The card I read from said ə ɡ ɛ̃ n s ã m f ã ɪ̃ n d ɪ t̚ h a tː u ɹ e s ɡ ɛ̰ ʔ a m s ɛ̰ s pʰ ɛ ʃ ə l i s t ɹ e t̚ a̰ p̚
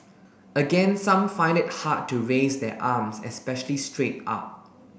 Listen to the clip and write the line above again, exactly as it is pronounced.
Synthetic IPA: ə ɡ ɛ̃ n s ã m f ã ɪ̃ n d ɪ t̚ h a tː u ɹ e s d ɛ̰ ʔ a m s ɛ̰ s p ɛ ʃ ə l i s t ɹ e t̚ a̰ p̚